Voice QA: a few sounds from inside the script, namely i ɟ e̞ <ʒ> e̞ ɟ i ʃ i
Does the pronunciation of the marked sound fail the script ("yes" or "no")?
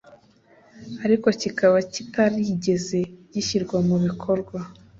yes